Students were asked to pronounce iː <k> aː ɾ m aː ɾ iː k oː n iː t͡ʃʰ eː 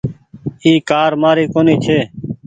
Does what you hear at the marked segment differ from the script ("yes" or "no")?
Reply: no